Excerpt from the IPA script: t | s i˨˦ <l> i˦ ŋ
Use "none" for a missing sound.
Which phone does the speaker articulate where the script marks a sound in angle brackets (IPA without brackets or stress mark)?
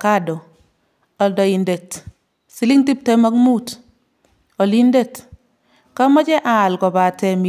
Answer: l